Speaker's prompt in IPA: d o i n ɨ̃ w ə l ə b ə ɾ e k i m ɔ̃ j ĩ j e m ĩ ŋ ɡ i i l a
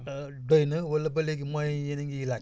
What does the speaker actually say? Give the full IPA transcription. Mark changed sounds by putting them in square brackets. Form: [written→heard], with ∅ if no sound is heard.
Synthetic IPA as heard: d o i n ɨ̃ w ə l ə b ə [ɾ→l] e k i m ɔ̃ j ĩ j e [m→n] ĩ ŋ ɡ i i l a